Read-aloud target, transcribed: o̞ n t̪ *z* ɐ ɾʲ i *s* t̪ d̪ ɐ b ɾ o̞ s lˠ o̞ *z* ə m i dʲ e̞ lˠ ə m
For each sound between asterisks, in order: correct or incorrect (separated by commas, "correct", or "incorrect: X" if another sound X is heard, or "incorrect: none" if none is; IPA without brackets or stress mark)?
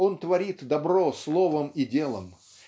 incorrect: v, incorrect: none, incorrect: v